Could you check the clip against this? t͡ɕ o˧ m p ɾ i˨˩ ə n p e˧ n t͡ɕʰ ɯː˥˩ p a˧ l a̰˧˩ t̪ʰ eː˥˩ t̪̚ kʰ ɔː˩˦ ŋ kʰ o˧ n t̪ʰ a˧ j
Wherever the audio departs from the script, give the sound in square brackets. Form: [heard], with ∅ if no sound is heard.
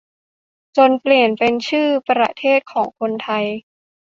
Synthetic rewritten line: t͡ɕ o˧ [n] p [l] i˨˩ ə n p e˧ n t͡ɕʰ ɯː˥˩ p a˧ [ɾ] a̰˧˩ t̪ʰ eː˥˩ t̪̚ kʰ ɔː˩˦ ŋ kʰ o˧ n t̪ʰ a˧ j